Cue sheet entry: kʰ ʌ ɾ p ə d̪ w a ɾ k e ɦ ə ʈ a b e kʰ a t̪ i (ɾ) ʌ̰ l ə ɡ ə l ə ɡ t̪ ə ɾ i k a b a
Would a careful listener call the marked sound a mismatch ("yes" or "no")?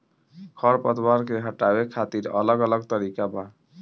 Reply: no